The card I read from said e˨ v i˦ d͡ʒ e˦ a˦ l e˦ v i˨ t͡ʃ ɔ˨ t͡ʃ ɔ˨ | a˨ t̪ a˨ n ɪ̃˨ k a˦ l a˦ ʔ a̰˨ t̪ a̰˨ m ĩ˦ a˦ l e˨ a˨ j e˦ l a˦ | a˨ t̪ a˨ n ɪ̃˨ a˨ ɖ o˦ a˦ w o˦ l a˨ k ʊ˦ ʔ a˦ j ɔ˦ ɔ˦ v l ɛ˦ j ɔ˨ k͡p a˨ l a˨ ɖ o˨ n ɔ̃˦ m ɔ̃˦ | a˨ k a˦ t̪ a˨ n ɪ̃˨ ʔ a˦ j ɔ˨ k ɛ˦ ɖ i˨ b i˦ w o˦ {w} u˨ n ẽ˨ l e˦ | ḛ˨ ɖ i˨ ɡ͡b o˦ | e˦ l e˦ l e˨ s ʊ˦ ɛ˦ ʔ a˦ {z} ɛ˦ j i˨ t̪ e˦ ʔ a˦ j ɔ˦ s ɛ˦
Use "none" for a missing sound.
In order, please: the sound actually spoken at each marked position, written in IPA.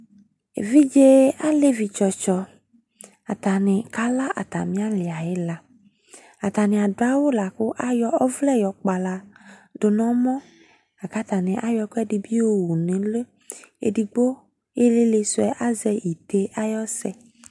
w, z

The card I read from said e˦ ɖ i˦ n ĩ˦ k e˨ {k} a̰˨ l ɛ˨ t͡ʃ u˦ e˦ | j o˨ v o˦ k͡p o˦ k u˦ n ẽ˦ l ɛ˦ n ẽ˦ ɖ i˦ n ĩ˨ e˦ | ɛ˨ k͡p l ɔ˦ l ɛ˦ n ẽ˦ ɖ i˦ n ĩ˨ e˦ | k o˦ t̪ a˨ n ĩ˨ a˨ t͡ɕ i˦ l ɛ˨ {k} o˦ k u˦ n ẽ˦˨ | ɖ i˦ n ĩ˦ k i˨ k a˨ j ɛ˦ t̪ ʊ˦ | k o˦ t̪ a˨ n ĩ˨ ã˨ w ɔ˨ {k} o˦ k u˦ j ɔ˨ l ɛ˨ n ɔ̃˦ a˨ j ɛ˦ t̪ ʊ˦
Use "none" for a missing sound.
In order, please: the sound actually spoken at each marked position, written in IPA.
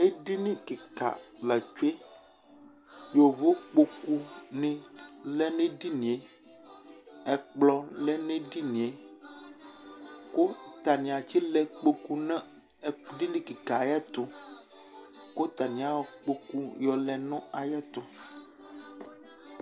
k, k͡p, k͡p

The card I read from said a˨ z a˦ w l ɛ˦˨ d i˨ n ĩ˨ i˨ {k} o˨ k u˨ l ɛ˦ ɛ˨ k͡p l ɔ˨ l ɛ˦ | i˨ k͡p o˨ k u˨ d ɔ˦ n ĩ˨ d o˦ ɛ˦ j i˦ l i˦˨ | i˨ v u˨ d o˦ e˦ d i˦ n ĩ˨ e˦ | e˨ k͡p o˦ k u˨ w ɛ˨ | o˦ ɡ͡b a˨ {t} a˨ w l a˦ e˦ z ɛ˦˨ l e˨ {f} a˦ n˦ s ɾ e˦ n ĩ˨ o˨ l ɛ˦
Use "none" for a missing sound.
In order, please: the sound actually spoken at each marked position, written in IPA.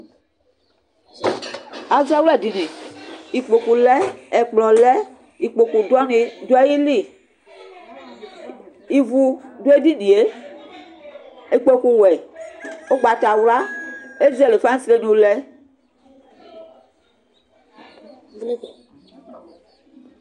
k͡p, t, f

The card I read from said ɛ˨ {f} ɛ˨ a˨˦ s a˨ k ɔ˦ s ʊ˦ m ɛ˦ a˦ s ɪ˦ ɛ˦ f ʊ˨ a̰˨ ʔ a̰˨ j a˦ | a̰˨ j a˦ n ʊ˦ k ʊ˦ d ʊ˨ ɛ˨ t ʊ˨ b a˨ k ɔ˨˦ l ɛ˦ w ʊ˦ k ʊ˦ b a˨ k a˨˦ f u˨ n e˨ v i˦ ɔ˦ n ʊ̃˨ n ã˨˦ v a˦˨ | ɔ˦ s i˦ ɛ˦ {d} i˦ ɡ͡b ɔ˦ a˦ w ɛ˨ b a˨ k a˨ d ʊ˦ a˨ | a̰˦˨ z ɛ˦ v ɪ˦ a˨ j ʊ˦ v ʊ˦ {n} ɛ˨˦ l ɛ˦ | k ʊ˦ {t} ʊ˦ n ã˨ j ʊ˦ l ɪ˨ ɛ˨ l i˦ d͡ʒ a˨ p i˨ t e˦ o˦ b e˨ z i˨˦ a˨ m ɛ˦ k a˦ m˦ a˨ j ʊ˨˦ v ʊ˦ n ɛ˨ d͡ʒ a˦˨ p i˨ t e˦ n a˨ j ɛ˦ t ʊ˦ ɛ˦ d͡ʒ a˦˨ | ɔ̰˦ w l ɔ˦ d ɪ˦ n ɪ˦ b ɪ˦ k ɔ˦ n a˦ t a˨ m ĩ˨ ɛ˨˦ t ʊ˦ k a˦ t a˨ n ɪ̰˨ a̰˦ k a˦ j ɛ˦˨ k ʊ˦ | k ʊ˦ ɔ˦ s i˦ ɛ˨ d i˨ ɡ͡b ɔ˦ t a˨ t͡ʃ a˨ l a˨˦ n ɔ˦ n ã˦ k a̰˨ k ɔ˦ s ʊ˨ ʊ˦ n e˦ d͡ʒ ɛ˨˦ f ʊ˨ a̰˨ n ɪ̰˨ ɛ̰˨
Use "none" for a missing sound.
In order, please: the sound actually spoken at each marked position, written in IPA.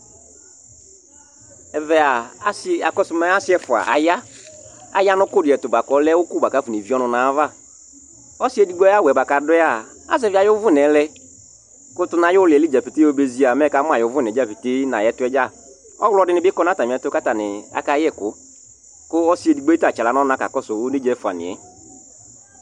v, d, n, t

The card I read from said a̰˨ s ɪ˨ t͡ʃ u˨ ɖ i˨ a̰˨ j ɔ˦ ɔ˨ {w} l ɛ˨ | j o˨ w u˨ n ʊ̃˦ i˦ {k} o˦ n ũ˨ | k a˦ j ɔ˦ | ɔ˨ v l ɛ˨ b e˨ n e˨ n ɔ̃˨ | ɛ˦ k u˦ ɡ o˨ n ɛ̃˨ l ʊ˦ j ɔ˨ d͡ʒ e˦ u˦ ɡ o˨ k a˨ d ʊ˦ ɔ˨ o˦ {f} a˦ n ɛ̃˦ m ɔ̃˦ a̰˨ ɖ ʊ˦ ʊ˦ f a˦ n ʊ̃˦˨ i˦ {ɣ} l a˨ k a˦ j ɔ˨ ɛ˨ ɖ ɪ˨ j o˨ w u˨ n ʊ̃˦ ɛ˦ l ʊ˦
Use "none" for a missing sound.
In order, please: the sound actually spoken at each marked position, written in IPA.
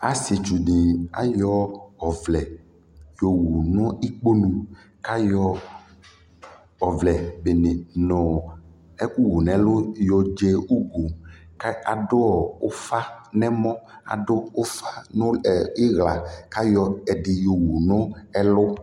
v, k͡p, f, ɣ

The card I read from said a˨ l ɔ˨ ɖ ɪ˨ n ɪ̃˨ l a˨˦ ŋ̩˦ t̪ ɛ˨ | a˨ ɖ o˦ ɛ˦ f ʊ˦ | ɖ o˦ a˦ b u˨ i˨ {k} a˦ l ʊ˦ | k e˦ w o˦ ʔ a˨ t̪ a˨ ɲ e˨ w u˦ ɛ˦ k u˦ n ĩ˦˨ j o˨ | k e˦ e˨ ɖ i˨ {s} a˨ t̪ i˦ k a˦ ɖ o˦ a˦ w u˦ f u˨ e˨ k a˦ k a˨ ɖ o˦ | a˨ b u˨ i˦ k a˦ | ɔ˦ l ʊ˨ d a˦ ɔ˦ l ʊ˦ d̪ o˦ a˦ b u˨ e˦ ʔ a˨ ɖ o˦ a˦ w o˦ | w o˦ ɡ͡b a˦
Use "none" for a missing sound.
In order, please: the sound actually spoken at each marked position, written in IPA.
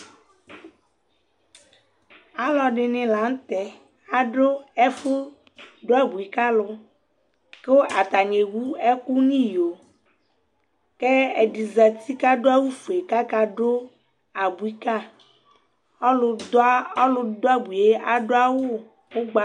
k, z

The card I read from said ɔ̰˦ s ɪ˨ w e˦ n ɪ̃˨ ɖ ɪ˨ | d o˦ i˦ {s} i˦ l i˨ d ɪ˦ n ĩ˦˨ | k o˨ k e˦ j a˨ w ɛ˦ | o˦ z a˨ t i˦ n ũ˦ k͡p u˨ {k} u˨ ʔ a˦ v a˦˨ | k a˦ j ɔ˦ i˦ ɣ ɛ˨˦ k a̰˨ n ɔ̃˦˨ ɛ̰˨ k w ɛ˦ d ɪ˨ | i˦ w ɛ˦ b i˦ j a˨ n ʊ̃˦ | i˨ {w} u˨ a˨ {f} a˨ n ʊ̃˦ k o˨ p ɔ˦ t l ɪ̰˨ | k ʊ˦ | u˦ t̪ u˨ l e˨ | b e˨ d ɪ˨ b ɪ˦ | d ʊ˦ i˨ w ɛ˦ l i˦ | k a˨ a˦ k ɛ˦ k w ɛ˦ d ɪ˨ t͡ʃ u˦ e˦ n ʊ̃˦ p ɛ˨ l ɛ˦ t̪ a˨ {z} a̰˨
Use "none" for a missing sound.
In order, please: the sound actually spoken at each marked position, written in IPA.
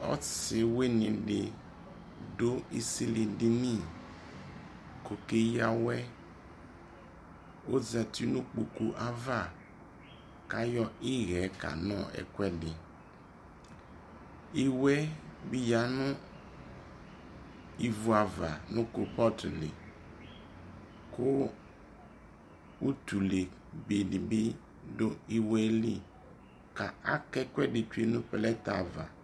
s, k, v, v, v

